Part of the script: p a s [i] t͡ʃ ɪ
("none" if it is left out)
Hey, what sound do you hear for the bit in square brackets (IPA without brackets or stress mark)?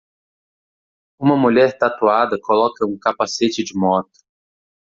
e